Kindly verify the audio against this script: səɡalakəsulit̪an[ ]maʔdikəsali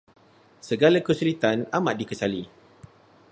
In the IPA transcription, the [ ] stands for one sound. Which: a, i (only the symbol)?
a